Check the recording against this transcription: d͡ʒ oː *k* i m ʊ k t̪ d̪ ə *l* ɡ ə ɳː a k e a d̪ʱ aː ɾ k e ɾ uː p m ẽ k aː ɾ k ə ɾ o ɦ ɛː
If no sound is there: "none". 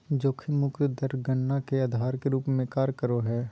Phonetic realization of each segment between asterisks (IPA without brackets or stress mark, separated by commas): kʰ, ɾ